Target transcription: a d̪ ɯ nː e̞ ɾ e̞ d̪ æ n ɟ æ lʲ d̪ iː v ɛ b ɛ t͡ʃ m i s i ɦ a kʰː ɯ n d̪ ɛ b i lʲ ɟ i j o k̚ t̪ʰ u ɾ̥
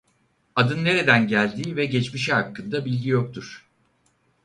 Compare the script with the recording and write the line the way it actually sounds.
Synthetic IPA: a d̪ ɯ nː e̞ ɾ e̞ d̪ æ n ɟ æ lʲ d̪ iː v ɛ ɟ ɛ t͡ʃ m i ʃ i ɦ a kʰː ɯ n d̪ a b i lʲ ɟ i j o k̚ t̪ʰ u ɾ̥

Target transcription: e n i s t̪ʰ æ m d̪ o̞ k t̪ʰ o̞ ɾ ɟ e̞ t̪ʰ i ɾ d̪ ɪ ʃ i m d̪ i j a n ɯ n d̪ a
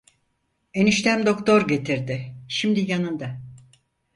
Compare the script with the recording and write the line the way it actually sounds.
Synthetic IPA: e n i ʃ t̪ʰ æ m d̪ o̞ k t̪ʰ o̞ ɾ ɟ e̞ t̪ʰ i ɾ d̪ ɪ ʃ i m d̪ i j a n ɯ n d̪ a

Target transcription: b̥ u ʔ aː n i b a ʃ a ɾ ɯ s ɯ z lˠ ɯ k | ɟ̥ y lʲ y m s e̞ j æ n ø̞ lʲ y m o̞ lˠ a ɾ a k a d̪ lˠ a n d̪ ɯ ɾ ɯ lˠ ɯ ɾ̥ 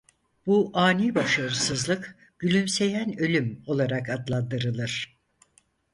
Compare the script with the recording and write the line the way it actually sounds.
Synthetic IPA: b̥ u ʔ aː n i b a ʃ a ɾ ɯ s ɯ z lˠ ɯ k | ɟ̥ y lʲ y m s e̞ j æ n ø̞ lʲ y m o̞ lˠ a ɾ a k a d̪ lˠ a n d̪ ɯ ɾ ɯ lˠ ɯ ɾ̥

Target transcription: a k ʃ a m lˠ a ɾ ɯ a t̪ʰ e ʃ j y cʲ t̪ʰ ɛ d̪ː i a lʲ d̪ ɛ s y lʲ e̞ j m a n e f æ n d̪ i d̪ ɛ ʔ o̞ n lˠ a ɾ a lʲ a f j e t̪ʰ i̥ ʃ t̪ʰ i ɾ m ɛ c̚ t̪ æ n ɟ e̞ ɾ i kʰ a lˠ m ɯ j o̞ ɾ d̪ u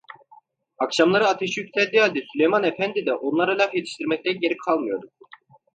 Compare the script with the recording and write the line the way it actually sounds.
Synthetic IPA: a k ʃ a m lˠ a ɾ ɯ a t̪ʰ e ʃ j y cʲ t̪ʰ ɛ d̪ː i a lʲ d̪ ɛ s y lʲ e̞ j m a n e f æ n d̪ i d̪ ɛ ʔ o̞ n lˠ a ɾ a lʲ a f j e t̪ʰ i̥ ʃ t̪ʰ i ɾ m ɛ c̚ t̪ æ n ɟ e̞ ɾ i kʰ a lˠ m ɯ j o̞ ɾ d̪ u

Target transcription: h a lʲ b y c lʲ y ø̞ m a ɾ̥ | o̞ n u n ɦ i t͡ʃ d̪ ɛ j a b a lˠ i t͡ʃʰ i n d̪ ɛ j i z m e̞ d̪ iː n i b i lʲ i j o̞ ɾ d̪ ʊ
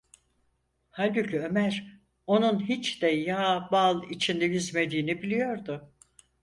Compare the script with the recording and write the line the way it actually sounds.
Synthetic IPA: h a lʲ b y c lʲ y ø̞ m æ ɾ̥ | o̞ n u n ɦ i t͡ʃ d̪ ɛ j a b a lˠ i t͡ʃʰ i n d̪ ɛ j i z m e̞ d̪ iː n i b i lʲ i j o̞ ɾ d̪ ʊ

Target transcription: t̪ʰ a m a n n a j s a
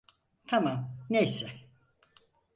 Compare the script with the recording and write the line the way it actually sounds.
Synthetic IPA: t̪ʰ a m a m n e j s ɛ

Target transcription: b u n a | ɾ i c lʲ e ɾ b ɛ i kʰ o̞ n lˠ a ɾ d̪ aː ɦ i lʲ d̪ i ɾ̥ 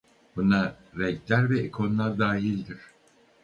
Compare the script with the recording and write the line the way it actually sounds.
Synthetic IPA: b u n a | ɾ ɛ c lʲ æ ɾ v ɛ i kʰ o̞ n lˠ a ɾ d̪ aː ɦ i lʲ d̪ i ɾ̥

